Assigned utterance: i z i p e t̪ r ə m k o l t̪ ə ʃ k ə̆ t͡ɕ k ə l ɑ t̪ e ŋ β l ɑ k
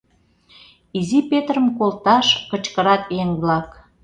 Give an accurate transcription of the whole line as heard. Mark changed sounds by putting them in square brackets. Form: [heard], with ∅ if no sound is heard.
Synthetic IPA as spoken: i z i p e t̪ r ə m k o l t̪ [ɑ] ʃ k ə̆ t͡ɕ k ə [ɾ] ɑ t̪ e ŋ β l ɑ k